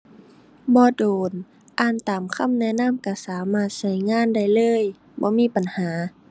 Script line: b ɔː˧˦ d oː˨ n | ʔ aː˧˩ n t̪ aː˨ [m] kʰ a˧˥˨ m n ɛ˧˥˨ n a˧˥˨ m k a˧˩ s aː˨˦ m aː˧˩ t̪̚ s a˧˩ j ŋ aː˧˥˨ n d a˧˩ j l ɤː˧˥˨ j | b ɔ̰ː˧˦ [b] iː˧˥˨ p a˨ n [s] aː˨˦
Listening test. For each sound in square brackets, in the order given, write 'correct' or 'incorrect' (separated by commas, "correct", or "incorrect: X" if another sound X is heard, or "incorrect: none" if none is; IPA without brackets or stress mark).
correct, incorrect: m, incorrect: h